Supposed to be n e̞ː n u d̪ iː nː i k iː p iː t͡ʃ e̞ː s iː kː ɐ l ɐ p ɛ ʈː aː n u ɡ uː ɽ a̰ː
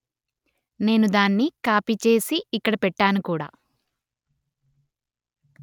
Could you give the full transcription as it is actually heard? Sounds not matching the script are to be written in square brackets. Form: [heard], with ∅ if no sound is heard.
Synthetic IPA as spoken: n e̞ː n u d̪ [aː] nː i k [aː] p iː t͡ʃ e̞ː s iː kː ɐ [ɽ] ɐ p ɛ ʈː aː n u [k] uː ɽ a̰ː